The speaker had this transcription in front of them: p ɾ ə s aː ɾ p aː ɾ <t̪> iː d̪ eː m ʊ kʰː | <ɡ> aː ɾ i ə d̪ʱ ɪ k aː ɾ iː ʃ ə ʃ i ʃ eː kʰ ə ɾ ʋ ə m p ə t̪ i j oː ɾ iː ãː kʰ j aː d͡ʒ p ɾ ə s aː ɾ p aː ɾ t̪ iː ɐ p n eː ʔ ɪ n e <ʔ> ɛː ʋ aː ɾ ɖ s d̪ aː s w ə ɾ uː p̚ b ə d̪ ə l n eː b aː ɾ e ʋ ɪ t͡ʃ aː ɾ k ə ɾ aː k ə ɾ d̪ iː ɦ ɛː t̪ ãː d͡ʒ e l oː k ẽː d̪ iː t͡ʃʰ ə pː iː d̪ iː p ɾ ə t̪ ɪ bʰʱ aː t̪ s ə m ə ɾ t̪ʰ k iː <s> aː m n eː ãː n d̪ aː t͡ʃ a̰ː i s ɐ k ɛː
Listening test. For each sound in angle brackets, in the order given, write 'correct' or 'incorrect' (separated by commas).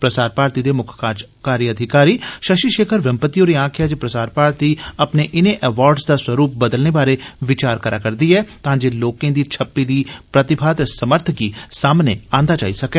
correct, incorrect, correct, correct